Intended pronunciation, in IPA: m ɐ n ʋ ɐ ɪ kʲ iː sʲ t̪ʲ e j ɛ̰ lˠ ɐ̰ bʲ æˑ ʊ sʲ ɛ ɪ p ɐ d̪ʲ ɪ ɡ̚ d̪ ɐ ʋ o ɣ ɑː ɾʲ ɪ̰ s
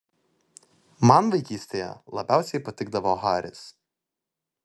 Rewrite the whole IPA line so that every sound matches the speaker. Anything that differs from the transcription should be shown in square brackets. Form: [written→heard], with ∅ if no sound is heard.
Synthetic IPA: m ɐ n ʋ ɐ ɪ kʲ iː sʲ t̪ʲ e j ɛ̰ lˠ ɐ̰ bʲ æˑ ʊ sʲ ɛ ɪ p ɐ [d̪ʲ→t̪ʲ] ɪ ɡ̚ d̪ ɐ ʋ o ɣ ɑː ɾʲ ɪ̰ s